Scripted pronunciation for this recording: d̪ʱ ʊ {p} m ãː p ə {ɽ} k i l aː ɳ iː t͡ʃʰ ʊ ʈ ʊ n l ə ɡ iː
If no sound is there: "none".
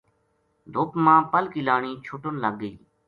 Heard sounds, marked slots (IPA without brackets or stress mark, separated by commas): p, l